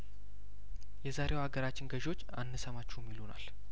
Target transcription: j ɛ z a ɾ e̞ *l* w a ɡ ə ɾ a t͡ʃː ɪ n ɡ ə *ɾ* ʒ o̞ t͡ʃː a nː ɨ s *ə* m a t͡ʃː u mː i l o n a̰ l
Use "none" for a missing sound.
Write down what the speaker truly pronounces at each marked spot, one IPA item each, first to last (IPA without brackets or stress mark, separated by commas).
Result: none, none, ə